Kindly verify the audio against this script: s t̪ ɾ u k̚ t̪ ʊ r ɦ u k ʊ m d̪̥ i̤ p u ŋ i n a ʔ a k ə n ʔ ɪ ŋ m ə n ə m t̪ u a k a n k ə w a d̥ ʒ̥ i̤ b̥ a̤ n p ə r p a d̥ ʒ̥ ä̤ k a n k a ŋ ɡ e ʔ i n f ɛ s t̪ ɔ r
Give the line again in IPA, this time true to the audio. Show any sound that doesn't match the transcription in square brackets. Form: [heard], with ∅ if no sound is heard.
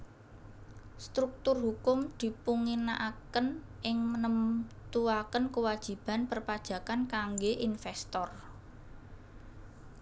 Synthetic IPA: s t̪ ɾ u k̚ t̪ ʊ r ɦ u k ʊ m d̪̥ i̤ p u ŋ i n a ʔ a k ə n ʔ ɪ ŋ m ə n ə m t̪ u a k [ə] n k ə w a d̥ ʒ̥ i̤ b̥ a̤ n p ə r p a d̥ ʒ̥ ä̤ k a n k a ŋ ɡ e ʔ i n f ɛ s t̪ ɔ r